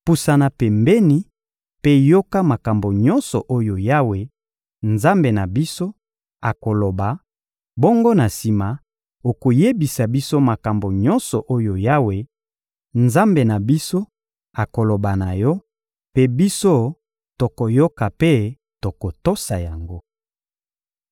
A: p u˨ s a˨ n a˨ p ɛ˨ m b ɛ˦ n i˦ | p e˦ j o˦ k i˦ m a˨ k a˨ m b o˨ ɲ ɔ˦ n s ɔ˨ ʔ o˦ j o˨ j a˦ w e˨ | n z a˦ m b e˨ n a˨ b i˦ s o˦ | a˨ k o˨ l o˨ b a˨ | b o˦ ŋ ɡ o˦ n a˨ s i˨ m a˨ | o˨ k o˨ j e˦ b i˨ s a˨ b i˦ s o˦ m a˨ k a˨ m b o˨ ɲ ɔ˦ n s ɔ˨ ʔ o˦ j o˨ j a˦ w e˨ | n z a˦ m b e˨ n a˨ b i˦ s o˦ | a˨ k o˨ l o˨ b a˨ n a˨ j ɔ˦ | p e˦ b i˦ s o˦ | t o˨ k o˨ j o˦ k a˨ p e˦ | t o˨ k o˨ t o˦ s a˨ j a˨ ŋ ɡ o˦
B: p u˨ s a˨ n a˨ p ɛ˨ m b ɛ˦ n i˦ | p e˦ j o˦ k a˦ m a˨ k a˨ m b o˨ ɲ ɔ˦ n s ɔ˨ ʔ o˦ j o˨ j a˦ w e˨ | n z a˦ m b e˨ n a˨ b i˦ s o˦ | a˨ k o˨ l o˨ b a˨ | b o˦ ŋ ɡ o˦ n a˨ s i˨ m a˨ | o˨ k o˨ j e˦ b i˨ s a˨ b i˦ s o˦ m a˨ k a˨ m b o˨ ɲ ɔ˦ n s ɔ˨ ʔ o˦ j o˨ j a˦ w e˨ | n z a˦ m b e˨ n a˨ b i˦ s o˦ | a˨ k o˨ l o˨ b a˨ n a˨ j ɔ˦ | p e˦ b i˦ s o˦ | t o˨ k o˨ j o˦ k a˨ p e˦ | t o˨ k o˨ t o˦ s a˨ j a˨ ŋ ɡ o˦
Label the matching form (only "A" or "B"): B